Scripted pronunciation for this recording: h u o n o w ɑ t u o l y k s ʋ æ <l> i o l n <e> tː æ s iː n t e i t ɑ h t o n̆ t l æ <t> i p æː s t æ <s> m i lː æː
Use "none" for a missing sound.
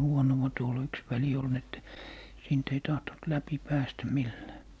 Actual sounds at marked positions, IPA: l, e, p, none

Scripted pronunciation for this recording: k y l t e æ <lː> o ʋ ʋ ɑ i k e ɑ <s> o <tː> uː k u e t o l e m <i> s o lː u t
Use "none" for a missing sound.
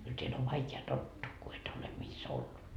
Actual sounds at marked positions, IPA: l, t, tː, i

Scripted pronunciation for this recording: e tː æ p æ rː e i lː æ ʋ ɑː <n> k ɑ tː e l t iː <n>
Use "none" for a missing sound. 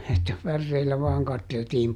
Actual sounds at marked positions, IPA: ŋ, m

